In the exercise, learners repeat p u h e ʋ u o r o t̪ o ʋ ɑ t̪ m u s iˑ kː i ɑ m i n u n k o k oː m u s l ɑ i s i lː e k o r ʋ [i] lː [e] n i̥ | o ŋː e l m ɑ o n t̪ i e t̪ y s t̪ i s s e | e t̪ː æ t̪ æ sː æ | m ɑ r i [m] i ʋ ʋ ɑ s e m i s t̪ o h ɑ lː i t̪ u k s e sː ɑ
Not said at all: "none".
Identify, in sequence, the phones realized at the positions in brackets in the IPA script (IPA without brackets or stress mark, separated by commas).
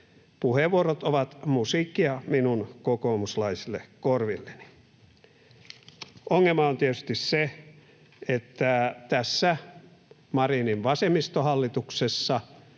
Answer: i, e, n